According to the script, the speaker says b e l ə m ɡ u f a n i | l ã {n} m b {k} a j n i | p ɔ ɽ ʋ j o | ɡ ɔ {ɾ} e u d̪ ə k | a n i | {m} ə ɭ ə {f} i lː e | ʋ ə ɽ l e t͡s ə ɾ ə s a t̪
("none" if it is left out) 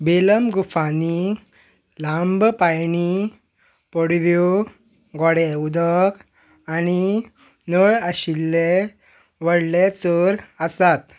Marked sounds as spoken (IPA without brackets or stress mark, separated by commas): none, p, ɽ, n, ɕ